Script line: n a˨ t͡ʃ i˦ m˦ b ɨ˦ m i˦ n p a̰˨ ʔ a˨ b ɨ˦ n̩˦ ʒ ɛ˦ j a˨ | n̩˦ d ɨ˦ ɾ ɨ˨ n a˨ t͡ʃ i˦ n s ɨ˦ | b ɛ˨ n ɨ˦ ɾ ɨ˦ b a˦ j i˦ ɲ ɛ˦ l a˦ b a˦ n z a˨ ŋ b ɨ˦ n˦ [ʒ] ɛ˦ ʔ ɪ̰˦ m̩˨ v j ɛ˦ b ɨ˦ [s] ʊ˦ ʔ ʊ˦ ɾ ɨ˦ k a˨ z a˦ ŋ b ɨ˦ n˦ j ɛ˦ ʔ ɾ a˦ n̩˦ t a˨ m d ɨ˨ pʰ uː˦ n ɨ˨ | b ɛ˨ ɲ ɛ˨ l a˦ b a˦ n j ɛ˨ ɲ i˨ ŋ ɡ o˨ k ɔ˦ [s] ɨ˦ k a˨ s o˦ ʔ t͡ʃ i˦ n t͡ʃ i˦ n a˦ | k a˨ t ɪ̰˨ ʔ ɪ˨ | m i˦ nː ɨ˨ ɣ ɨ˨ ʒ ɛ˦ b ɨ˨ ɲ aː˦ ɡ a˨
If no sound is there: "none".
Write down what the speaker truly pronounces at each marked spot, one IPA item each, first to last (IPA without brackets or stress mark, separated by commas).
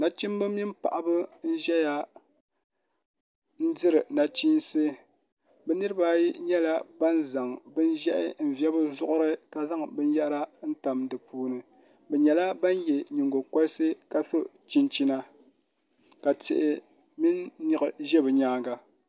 ʒ, z, s